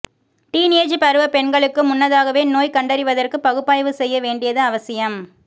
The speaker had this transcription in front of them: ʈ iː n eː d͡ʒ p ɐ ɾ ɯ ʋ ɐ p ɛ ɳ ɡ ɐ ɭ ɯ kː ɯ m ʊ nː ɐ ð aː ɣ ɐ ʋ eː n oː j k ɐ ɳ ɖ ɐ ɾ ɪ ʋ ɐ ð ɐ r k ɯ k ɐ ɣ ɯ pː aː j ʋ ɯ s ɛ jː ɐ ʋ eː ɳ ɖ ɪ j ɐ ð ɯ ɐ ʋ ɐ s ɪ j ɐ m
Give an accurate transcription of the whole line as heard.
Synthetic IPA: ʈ iː n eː d͡ʒ p ɐ ɾ ɯ ʋ ɐ p ɛ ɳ ɡ ɐ ɭ ɯ kː ɯ m ʊ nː ɐ ð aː ɣ ɐ ʋ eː n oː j k ɐ ɳ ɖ ɐ ɾ ɪ ʋ ɐ ð ɐ r k ɯ p ɐ ɣ ɯ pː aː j ʋ ɯ s ɛ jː ɐ ʋ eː ɳ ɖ ɪ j ɐ ð ɯ ɐ ʋ ɐ s ɪ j ɐ m